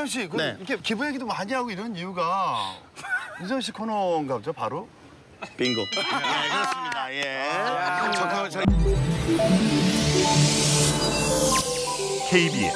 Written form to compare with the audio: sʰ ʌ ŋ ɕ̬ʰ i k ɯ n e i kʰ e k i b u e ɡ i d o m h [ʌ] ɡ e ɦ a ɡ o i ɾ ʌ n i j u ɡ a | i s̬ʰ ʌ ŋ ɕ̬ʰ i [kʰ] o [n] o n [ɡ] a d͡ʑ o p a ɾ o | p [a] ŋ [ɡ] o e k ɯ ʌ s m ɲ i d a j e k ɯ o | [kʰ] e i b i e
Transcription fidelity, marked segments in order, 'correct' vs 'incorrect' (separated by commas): incorrect, correct, correct, correct, incorrect, correct, correct